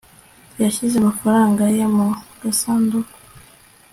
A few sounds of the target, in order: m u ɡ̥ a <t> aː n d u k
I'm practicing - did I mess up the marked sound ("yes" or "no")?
yes